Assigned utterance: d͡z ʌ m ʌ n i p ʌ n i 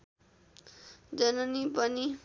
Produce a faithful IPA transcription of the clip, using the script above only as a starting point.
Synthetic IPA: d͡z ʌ n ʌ n i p ʌ n i